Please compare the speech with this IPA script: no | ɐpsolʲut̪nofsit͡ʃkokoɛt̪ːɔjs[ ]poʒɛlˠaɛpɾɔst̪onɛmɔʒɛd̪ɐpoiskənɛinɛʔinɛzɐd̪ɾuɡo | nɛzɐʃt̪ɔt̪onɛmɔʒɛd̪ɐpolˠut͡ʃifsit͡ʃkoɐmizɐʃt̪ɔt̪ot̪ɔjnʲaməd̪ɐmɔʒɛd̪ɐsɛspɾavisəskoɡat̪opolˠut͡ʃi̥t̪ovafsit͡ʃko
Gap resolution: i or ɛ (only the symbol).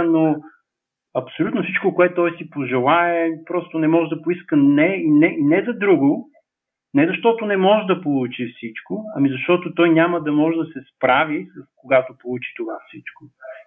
i